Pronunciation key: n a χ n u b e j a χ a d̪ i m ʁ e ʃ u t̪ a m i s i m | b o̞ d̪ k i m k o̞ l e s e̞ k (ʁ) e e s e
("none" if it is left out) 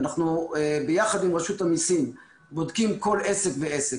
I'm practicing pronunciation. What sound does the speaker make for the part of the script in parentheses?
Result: v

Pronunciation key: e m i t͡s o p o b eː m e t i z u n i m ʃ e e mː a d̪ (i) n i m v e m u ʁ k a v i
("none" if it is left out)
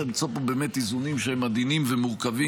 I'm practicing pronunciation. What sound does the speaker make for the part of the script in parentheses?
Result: i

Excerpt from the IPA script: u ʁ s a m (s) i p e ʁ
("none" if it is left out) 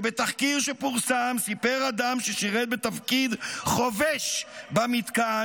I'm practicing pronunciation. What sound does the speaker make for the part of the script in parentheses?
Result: s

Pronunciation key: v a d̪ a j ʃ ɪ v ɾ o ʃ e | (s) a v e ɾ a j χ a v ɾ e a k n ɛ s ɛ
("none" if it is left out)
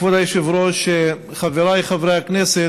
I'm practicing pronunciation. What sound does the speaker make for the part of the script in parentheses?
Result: χ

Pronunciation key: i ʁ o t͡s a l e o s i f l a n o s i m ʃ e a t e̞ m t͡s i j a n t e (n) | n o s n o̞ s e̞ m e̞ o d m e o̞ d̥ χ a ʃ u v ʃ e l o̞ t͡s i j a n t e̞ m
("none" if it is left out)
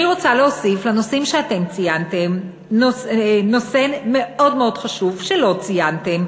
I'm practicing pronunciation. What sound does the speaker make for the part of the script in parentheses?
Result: m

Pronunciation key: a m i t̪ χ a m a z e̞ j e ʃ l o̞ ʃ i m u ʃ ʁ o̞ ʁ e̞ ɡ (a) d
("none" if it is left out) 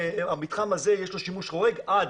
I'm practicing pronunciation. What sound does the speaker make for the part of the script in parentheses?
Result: a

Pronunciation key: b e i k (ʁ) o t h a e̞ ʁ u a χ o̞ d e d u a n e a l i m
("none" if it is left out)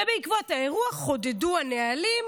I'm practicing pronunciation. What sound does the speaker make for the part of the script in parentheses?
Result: v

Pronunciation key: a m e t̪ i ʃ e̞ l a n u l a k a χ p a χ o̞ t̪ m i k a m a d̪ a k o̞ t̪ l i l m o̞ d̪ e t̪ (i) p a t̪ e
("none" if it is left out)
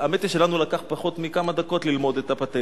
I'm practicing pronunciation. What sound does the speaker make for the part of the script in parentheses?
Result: a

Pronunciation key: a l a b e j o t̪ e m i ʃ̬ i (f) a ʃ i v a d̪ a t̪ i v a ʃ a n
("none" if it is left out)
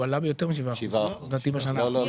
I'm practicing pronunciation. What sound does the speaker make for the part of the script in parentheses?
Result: v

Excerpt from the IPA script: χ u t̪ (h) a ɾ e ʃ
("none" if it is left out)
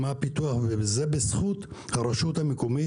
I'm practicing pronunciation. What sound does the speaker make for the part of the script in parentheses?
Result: h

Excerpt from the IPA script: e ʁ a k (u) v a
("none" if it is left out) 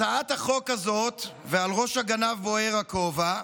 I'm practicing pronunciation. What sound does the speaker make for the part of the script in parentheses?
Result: o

